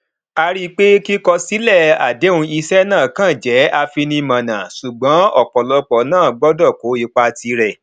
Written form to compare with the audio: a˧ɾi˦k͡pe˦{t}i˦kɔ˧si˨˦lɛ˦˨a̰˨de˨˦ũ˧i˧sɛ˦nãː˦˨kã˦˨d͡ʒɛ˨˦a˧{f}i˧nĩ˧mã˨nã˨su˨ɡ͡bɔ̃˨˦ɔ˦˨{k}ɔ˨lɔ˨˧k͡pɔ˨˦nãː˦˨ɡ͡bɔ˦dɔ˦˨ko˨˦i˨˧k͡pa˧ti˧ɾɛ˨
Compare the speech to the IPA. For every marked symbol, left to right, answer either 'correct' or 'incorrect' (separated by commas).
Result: incorrect, correct, incorrect